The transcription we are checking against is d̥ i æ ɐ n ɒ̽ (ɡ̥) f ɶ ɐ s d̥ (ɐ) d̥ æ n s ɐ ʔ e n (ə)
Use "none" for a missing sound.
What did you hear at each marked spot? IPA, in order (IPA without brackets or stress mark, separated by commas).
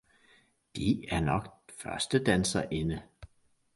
ɡ̥, ə, ə